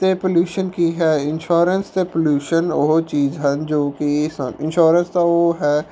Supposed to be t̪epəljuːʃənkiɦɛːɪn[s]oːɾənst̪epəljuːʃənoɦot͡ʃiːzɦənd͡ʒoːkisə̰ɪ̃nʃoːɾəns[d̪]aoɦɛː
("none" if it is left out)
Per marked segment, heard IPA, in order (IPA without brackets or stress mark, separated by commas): ʃ, t̪